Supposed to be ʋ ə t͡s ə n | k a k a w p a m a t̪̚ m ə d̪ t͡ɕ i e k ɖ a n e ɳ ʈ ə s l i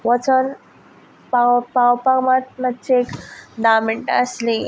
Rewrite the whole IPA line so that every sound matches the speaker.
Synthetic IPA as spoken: ʋ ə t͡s ə n | p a p a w p a m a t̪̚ m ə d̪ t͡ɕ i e k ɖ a m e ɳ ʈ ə s l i